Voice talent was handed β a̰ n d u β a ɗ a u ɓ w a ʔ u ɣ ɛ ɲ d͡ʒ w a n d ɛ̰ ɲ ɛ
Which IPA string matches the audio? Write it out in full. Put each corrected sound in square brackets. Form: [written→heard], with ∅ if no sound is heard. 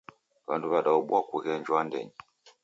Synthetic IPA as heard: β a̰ n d u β a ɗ a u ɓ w a [ʔ→k] u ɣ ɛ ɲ d͡ʒ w a n d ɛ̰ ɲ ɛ